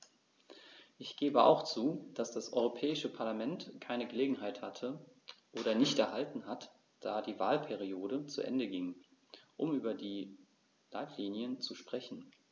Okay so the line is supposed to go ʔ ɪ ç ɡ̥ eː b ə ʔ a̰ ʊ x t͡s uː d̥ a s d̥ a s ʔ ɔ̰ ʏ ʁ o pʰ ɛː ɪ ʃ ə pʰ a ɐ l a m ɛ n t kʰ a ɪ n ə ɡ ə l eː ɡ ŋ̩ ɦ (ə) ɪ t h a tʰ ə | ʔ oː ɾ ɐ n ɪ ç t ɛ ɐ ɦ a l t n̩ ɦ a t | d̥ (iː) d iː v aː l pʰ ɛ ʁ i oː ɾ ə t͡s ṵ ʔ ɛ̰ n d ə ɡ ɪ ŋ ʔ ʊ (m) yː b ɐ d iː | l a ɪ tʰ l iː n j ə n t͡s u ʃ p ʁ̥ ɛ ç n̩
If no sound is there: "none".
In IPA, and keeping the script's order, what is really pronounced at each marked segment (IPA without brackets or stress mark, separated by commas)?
a, aː, m